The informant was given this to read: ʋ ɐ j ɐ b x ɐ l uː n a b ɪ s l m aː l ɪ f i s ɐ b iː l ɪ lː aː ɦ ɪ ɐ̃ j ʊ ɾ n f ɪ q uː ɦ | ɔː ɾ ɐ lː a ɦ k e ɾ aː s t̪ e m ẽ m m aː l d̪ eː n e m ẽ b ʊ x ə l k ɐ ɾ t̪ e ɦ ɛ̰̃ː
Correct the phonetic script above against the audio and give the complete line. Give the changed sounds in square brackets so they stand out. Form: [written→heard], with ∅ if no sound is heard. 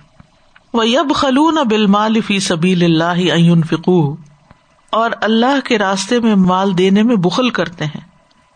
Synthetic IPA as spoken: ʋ ɐ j ɐ b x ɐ l uː n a b ɪ [s→∅] l m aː l ɪ f [i→iː] s ɐ b iː l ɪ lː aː ɦ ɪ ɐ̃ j ʊ [ɾ→∅] n f ɪ q uː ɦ | ɔː ɾ ɐ lː a ɦ k e ɾ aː s t̪ e m ẽ m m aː l d̪ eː n e m ẽ b ʊ x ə l k ɐ ɾ t̪ e ɦ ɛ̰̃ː